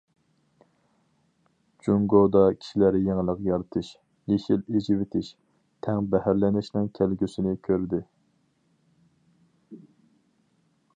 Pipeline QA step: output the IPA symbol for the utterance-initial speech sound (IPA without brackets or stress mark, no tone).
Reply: d͡ʒ